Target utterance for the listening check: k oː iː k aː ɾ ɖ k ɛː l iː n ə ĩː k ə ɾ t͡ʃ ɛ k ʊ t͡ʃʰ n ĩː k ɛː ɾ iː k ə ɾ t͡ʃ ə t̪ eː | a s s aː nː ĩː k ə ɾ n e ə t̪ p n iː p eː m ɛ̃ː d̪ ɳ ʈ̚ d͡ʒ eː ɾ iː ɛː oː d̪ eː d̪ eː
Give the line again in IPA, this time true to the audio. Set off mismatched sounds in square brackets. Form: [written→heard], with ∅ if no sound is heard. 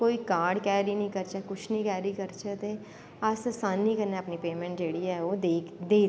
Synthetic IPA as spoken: k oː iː k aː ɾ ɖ k ɛː [l→ɾ] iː n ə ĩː k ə ɾ t͡ʃ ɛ k ʊ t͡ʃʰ n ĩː k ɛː ɾ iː k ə ɾ t͡ʃ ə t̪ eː | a s s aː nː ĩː k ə ɾ n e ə [t̪→∅] p n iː p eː m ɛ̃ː [d̪→∅] ɳ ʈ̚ d͡ʒ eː [ɾ→ɽ] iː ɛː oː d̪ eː d̪ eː